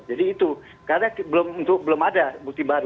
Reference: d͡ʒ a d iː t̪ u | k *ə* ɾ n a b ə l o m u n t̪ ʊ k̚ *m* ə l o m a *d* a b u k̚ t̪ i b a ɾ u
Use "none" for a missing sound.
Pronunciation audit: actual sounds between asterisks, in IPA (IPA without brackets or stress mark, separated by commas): a, b, d